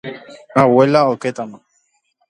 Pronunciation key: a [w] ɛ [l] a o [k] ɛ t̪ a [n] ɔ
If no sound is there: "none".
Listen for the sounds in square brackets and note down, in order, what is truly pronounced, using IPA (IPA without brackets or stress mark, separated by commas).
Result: w, l, k, n